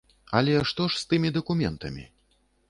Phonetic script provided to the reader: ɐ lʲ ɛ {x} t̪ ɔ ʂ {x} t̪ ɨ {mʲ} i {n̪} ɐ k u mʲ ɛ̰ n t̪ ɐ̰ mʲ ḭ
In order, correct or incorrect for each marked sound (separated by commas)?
incorrect, incorrect, correct, incorrect